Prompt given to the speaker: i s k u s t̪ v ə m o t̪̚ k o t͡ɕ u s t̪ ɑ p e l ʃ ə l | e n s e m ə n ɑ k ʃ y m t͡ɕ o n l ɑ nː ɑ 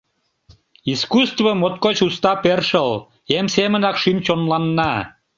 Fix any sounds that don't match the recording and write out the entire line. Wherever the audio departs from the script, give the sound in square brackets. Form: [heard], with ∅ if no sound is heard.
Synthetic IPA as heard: i s k u s t̪ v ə m o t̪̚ k o t͡ɕ u s t̪ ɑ p e [r] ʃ ə l | e [m] s e m ə n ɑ k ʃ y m t͡ɕ o n l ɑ nː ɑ